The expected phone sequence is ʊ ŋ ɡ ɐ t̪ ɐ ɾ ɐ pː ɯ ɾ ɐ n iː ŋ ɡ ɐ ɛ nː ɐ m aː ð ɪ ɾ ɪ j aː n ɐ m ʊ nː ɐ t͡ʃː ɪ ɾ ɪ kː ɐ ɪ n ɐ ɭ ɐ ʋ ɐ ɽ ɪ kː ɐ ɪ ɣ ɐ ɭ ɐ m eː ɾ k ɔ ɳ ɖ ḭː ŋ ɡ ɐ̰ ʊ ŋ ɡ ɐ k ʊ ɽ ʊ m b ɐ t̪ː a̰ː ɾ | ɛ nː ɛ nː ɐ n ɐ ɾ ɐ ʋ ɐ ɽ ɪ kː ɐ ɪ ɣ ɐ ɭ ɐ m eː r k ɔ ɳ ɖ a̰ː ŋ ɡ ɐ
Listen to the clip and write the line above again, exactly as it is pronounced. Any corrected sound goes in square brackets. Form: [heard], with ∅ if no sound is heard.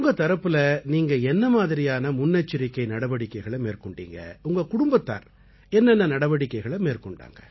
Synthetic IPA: ʊ ŋ ɡ ɐ t̪ ɐ ɾ ɐ pː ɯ [l] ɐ n iː ŋ ɡ ɐ ɛ nː ɐ m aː ð ɪ ɾ ɪ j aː n ɐ m ʊ nː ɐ t͡ʃː ɪ ɾ ɪ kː ɐ ɪ n ɐ [ɽ] ɐ ʋ ɐ ɽ ɪ kː ɐ ɪ ɣ ɐ ɭ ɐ m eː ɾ k ɔ ɳ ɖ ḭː ŋ ɡ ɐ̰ ʊ ŋ ɡ ɐ k ʊ ɽ ʊ m b ɐ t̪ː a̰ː ɾ | ɛ nː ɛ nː ɐ n ɐ [ɽ] ɐ ʋ ɐ ɽ ɪ kː ɐ ɪ ɣ ɐ ɭ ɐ m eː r k ɔ ɳ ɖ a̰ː ŋ ɡ ɐ